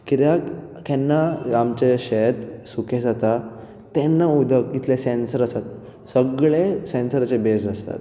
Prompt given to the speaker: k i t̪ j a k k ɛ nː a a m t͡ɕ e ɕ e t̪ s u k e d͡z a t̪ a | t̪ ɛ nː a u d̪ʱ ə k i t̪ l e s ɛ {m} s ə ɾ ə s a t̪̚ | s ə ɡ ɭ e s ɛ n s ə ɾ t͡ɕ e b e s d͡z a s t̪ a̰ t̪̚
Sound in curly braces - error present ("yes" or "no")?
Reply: yes